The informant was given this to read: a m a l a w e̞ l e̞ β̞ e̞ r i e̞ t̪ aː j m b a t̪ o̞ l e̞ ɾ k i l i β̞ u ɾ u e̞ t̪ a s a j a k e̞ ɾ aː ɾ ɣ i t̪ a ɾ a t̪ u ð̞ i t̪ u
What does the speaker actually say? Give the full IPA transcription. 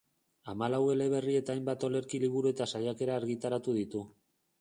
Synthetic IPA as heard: a m a l a w e̞ l e̞ β̞ e̞ r i e̞ t̪ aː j m b a t̪ o̞ l e̞ ɾ k i l i β̞ u ɾ u e̞ t̪ a s a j a k e̞ ɾ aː ɾ ɣ i t̪ a ɾ a t̪ u ð̞ i t̪ u